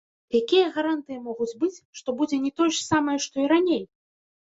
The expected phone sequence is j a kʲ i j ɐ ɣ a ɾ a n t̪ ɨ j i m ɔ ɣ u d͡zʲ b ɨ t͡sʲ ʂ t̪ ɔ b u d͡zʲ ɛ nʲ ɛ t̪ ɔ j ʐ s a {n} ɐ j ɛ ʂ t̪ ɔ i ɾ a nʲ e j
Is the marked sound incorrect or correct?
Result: incorrect